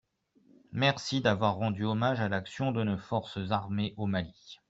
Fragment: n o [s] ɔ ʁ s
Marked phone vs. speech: incorrect: f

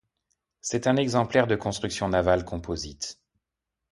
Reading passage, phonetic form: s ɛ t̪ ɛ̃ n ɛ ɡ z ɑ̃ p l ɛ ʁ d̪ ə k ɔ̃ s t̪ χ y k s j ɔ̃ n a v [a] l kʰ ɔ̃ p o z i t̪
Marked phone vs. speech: correct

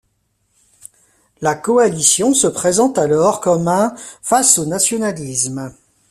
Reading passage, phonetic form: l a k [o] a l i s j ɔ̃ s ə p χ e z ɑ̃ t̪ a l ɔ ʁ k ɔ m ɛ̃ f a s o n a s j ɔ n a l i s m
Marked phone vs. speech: incorrect: ɔ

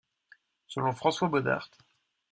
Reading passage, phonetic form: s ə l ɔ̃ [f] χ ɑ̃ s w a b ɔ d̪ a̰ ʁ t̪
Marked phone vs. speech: correct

